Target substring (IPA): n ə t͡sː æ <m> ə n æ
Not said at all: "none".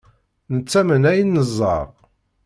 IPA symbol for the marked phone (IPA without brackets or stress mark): m